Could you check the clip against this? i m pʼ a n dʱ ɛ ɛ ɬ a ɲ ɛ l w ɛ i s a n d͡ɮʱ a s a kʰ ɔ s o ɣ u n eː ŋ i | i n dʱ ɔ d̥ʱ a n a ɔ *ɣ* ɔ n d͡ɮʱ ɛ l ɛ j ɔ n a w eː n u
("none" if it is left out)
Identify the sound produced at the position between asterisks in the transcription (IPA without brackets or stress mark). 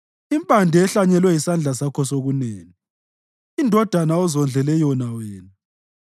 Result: z